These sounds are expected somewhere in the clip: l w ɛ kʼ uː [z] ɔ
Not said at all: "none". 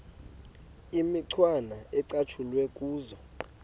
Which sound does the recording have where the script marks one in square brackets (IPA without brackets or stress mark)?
z